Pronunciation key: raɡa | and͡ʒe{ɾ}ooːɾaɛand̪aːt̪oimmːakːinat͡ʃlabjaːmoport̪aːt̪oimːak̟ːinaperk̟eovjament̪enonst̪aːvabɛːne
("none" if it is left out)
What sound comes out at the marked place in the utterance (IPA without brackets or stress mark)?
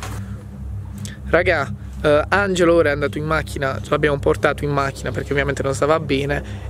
l